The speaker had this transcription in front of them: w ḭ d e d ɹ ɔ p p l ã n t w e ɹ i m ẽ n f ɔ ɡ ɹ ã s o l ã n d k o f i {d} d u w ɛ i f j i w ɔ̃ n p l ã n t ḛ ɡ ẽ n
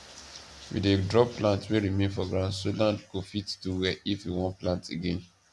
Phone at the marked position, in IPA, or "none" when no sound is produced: t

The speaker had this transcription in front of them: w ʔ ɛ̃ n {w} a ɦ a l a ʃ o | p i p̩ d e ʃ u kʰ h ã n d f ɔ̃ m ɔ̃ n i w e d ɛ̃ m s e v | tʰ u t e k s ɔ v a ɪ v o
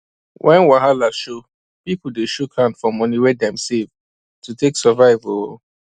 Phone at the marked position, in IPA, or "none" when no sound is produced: w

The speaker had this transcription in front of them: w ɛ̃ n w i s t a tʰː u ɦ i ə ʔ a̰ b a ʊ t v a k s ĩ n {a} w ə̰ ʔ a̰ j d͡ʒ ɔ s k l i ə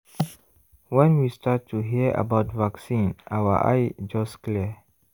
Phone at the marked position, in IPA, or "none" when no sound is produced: a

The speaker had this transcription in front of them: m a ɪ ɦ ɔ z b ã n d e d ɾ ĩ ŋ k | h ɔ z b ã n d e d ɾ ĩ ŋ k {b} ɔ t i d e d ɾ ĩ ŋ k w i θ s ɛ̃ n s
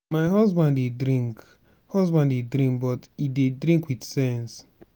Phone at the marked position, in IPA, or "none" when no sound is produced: b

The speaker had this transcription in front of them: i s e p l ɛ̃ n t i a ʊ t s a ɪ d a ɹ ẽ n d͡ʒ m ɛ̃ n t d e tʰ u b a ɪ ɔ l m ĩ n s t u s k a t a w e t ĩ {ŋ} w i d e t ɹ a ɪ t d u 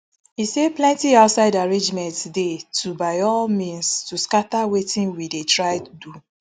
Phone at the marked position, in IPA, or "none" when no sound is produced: n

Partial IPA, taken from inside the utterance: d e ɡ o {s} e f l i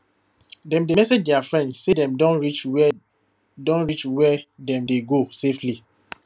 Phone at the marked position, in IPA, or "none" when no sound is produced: s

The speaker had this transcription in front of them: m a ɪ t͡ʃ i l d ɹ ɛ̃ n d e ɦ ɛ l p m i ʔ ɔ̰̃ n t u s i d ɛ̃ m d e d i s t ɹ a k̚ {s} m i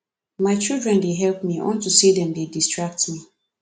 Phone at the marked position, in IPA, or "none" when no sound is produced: t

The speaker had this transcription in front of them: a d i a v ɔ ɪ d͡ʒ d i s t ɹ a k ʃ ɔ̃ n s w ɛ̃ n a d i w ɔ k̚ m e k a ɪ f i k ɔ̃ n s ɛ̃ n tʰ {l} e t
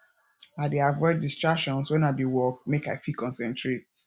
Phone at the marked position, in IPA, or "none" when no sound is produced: ɹ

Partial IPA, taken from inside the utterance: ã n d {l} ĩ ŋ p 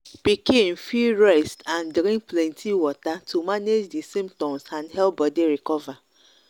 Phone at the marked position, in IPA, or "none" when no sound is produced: ɾ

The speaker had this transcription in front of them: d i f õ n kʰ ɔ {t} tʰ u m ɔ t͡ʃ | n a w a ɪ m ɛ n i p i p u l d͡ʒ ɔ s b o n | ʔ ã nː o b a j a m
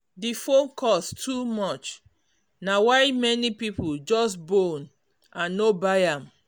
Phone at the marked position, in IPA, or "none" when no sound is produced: s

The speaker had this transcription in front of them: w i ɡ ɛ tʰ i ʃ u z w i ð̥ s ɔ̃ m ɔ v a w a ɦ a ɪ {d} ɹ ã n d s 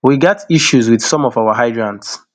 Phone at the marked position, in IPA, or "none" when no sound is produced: d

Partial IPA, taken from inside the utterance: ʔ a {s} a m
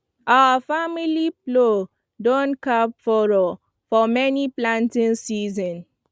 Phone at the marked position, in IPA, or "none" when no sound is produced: f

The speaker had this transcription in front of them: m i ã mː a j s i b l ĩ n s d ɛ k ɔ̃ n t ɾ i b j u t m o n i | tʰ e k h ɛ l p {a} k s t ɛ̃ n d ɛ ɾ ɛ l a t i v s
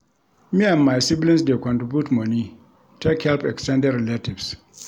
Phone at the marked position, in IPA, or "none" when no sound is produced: ɛ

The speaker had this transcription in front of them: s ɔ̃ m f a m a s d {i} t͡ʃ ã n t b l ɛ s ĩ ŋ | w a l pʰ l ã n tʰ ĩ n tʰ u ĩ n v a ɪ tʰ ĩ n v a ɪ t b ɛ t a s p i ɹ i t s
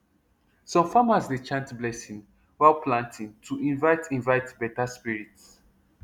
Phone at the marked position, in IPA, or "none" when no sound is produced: e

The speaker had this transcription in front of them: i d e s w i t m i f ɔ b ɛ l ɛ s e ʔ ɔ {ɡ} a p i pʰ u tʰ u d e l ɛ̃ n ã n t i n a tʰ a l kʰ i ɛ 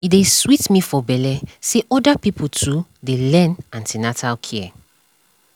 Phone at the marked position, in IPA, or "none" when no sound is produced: d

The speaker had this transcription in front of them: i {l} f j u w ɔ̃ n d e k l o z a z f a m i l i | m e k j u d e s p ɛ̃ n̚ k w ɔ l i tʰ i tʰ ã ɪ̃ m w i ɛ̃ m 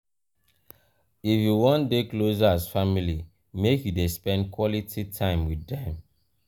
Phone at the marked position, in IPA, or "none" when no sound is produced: none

